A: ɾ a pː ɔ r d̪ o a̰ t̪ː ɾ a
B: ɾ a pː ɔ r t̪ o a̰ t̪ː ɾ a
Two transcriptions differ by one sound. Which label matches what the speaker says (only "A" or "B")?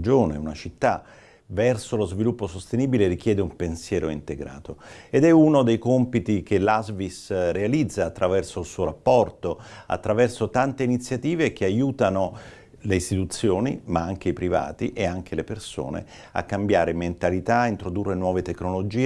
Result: B